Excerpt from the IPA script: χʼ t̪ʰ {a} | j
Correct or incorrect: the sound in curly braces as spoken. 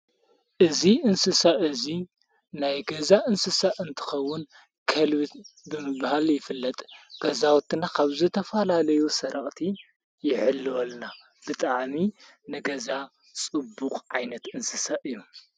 incorrect: i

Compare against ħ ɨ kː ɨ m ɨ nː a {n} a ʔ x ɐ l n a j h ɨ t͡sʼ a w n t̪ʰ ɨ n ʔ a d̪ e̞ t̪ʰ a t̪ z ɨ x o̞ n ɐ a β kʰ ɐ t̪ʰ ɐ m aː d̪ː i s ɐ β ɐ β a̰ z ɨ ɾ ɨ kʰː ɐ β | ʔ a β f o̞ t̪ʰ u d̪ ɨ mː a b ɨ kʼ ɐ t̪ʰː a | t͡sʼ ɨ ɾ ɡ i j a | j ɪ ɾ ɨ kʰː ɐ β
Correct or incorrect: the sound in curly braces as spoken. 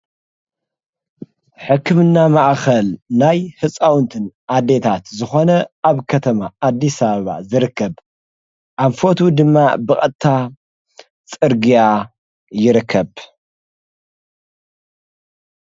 incorrect: m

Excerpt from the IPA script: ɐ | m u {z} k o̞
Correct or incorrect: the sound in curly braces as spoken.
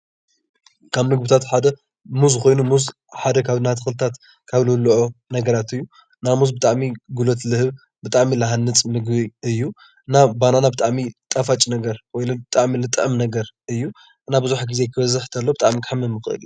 correct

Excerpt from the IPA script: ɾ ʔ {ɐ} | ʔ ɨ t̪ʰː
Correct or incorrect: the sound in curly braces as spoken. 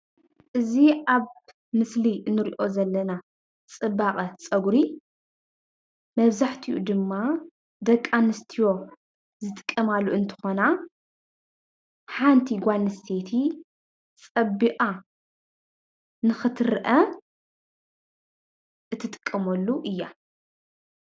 correct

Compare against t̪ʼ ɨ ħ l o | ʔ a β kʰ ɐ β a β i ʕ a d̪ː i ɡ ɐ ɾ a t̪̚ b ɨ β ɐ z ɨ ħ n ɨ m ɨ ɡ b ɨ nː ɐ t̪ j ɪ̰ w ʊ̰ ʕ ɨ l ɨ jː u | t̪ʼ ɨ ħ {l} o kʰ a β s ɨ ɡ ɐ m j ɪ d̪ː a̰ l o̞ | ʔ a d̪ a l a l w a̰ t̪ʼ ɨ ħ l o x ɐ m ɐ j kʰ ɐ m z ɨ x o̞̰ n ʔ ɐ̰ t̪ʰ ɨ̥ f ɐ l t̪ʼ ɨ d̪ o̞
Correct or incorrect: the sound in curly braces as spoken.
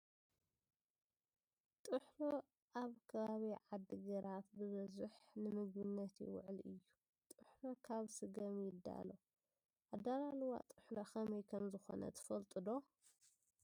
correct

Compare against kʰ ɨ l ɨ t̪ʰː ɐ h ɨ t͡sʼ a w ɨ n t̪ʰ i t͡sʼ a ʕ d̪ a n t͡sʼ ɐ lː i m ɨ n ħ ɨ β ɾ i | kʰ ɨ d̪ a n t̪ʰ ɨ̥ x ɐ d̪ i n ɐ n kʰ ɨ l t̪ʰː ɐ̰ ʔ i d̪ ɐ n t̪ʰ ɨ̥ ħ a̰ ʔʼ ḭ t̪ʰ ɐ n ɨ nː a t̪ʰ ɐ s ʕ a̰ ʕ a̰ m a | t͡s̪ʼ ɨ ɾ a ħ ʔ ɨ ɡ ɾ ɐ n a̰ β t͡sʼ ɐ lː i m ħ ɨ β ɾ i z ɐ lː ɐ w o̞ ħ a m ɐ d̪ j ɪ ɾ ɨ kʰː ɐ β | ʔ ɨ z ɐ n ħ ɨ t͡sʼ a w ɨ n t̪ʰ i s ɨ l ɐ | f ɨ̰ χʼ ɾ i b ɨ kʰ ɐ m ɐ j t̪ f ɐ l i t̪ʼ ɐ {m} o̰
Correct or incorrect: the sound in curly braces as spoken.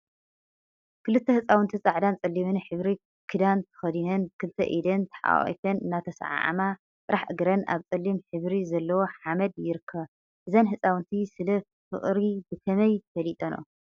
incorrect: n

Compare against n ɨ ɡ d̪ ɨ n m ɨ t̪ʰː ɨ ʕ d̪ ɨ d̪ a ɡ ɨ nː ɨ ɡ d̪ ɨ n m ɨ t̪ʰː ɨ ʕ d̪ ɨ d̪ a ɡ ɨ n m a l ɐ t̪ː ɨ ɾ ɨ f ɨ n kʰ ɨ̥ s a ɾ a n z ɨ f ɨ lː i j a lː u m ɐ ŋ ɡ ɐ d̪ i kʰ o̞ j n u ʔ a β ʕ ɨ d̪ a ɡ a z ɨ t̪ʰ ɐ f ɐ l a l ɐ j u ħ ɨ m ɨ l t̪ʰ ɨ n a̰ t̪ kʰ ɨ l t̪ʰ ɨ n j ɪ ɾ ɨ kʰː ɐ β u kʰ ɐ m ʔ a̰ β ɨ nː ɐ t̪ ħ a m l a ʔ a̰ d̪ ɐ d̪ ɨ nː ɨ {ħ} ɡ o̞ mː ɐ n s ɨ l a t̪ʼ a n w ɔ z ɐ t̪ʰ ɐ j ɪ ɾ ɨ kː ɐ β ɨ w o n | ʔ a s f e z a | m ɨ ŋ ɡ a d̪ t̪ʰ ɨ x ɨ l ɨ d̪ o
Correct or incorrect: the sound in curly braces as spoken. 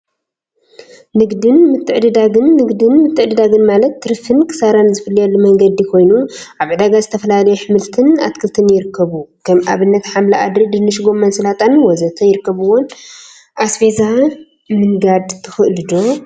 incorrect: ʃ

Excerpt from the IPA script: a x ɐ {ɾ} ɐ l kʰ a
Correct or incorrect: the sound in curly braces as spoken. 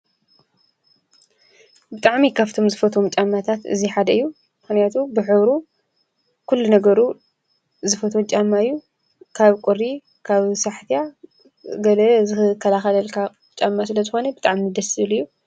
incorrect: l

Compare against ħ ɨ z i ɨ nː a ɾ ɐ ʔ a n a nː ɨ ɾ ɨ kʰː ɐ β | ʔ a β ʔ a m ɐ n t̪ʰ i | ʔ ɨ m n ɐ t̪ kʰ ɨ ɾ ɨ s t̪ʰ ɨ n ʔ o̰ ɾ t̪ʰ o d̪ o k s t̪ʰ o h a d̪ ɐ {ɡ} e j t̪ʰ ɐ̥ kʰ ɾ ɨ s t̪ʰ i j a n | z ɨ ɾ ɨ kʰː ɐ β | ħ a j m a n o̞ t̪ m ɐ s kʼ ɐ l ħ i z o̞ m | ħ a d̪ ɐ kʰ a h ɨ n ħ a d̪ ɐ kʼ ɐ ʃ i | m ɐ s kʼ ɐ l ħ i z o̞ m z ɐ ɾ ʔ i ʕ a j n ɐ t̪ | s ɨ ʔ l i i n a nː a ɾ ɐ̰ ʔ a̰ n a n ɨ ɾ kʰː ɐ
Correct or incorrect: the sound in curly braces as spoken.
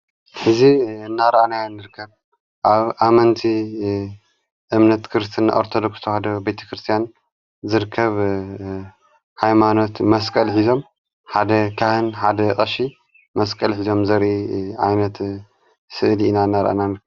incorrect: b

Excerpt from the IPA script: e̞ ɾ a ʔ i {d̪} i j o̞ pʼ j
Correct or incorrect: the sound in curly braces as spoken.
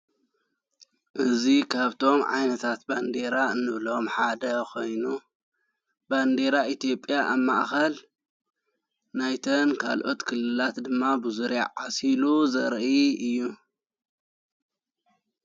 incorrect: t̪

